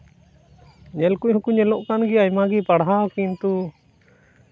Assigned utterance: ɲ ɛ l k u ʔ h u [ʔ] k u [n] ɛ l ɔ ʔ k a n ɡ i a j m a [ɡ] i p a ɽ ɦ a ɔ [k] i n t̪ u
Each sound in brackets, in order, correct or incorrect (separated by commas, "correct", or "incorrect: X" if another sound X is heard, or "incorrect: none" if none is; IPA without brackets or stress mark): incorrect: none, incorrect: ɲ, correct, correct